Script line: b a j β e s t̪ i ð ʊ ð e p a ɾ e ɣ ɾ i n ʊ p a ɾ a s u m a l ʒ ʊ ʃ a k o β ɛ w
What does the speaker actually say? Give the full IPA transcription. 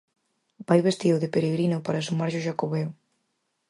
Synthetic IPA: b a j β e s t̪ i ð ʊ ð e p e ɾ e ɣ ɾ i n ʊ p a ɾ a s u m a ɾ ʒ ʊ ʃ a k o β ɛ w